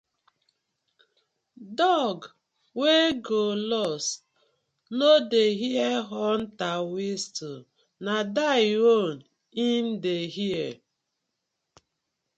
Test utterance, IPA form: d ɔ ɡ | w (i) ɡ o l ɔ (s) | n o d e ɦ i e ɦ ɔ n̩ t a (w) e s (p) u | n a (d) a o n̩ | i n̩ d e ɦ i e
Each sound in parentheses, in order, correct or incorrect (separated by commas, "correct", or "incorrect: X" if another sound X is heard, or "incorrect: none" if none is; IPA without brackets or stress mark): incorrect: e, correct, correct, incorrect: t, correct